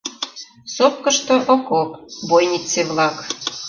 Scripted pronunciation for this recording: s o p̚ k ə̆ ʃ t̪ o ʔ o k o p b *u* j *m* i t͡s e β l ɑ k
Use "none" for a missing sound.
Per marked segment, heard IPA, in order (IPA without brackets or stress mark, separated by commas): o, n